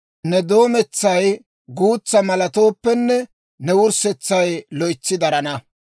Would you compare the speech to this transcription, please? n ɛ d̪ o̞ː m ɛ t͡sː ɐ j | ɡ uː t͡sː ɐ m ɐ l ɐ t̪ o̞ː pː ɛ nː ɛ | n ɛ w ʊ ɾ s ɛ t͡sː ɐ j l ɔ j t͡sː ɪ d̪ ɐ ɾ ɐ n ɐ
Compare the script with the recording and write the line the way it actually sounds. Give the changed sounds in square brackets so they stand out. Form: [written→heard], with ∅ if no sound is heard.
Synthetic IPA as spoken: n ɛ d̪ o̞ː m ɛ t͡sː ɐ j | ɡ uː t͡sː ɐ m ɐ l ɐ t̪ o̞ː pː ɛ nː ɛ | n ɛ w ʊ ɾ s ɛ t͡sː ɐ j l ɔ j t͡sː ɪ d̪ ɐ ɾ ɐ n ɐ